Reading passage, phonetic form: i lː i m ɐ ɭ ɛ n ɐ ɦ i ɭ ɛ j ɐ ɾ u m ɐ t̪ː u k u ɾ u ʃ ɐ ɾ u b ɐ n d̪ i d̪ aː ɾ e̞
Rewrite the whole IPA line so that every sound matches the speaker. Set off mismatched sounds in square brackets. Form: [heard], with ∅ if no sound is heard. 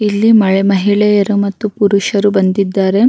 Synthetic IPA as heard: i lː i m ɐ ɭ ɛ [m] ɐ ɦ i ɭ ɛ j ɐ ɾ u m ɐ t̪ː u [p] u ɾ u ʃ ɐ ɾ u b ɐ n d̪ i [d̪ː] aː ɾ e̞